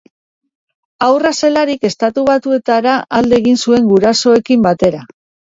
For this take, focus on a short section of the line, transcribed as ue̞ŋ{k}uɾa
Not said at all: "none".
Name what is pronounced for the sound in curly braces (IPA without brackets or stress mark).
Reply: ɡ